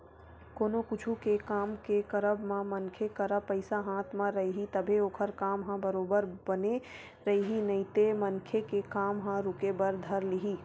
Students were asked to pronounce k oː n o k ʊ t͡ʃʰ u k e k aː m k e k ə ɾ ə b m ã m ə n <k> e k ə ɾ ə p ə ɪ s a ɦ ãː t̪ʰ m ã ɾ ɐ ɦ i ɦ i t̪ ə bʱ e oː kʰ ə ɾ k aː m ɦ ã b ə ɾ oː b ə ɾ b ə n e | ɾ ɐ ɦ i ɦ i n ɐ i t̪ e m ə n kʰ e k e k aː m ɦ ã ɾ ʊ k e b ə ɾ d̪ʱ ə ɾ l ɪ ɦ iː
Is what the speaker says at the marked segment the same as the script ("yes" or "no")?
no